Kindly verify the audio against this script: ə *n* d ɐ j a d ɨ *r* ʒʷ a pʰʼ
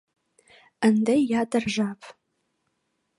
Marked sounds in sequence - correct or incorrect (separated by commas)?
correct, correct